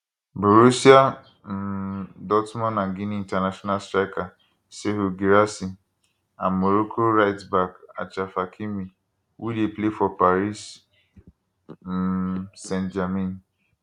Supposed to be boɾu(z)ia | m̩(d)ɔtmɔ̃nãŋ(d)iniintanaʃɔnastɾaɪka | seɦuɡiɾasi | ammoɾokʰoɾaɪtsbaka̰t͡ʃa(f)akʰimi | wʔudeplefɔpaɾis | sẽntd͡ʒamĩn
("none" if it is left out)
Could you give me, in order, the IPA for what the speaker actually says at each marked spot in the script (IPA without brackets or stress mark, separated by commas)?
s, d, ɡ, f